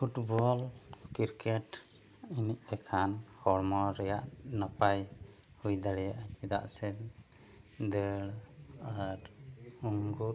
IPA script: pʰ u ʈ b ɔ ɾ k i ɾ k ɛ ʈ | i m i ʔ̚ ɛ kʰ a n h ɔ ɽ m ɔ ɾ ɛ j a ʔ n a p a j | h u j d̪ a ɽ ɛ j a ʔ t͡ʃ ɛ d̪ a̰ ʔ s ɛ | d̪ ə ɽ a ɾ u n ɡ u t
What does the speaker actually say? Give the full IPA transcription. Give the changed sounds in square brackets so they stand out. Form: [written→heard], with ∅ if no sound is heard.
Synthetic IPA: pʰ u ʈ b ɔ [ɾ→l] k i ɾ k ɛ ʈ | i [m→n] i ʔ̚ ɛ kʰ a n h ɔ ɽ m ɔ ɾ ɛ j a ʔ n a p a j | h u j d̪ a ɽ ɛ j a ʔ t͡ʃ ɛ d̪ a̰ ʔ s ɛ | d̪ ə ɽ a ɾ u [n→ŋ] ɡ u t

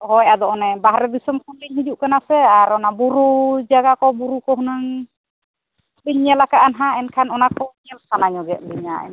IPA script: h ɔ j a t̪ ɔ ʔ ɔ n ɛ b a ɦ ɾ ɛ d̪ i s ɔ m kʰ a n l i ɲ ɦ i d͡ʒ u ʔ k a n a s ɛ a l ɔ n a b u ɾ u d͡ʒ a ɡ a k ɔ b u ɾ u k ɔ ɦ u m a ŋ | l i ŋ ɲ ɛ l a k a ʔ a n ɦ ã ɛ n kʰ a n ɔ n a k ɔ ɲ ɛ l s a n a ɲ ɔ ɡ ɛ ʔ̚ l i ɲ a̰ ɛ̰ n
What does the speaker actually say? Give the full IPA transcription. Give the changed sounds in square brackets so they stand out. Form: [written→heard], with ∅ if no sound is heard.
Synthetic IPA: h ɔ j a [t̪→d̪] ɔ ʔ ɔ n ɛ b a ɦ ɾ ɛ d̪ i s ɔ m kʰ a n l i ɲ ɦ i d͡ʒ u ʔ k a n a s ɛ a [l→ɾ] ɔ n a b u ɾ u d͡ʒ a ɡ a k ɔ b u ɾ u k ɔ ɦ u [m→n] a ŋ | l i [ŋ→ɲ] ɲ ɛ l a k a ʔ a n ɦ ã ɛ n kʰ a n ɔ n a k ɔ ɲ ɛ l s a n a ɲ ɔ ɡ ɛ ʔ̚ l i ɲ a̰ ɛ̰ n

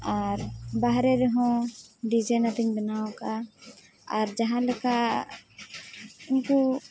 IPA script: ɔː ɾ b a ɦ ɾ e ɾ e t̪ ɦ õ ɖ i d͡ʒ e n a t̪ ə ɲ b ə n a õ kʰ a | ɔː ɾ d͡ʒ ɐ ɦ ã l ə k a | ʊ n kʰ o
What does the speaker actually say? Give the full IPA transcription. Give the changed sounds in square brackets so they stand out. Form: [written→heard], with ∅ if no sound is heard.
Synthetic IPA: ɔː ɾ b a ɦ ɾ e ɾ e [t̪→∅] ɦ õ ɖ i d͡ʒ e n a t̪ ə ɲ b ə n a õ [kʰ→k] a | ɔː ɾ d͡ʒ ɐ ɦ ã l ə k a | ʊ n [kʰ→k] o

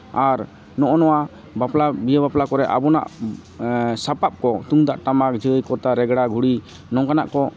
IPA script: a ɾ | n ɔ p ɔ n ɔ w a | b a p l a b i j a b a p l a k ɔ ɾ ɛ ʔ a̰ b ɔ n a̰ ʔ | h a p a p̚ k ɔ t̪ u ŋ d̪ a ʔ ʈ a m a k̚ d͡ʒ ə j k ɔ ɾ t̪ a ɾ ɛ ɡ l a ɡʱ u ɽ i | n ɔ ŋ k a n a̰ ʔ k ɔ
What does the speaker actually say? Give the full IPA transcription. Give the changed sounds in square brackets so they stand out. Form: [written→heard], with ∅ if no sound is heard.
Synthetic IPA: a ɾ | n ɔ [p→ʔ] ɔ n ɔ w a | b a p l a b i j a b a p l a k ɔ ɾ ɛ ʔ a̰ b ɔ n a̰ ʔ | [h→s] a p a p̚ k ɔ t̪ u ŋ d̪ a ʔ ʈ a m a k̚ d͡ʒ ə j k ɔ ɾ t̪ a ɾ ɛ ɡ [l→ɽ] a ɡʱ u ɽ i | n ɔ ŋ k a n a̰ ʔ k ɔ

